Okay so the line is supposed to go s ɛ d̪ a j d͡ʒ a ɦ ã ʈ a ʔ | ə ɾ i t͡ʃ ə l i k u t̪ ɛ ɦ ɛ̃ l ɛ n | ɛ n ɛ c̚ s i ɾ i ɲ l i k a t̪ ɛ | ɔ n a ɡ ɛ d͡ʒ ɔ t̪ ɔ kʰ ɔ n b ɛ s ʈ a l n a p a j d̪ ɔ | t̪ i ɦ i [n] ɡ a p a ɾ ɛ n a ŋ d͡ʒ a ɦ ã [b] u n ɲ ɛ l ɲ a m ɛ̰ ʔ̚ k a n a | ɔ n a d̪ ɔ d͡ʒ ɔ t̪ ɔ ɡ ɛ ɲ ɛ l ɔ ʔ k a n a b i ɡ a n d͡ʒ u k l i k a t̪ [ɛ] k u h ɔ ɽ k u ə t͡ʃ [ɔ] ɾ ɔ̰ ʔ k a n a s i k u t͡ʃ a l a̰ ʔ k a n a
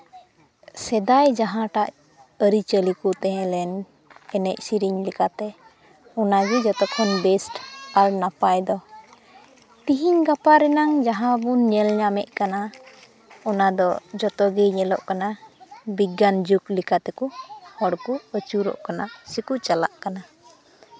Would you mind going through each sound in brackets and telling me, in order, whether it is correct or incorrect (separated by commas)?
incorrect, correct, correct, incorrect